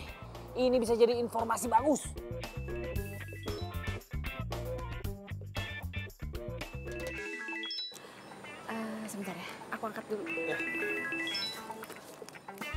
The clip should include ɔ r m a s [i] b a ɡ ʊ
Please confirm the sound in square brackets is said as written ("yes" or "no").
yes